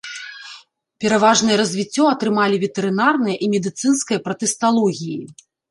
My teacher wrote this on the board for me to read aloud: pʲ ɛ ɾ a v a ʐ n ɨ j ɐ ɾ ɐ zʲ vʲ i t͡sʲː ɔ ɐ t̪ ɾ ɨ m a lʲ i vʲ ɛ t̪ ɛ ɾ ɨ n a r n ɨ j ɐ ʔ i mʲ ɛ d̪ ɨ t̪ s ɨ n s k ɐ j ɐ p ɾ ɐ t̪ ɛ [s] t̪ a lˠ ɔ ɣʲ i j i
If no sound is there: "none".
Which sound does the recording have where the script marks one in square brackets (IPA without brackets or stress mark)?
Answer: s